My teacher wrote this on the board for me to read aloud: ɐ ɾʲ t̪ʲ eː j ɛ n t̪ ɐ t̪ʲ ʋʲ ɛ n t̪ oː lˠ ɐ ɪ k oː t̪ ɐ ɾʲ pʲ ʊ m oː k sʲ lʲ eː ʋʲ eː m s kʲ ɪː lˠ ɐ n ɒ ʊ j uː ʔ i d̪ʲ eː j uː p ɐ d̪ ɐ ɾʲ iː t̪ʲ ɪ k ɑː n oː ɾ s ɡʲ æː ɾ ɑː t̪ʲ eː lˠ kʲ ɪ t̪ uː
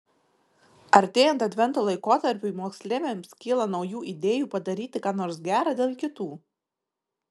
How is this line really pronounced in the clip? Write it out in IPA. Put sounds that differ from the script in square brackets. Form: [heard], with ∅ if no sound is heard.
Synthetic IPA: ɐ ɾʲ t̪ʲ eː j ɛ n t̪ ɐ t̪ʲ ʋʲ ɛ n t̪ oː lˠ ɐ ɪ k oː t̪ ɐ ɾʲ pʲ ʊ m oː k sʲ lʲ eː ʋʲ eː m s kʲ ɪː lˠ ɐ n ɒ ʊ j uː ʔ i d̪ʲ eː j uː p ɐ d̪ ɐ ɾʲ iː t̪ʲ ɪ k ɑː n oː ɾ s ɡʲ æː ɾ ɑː [d̪ʲ] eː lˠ kʲ ɪ t̪ uː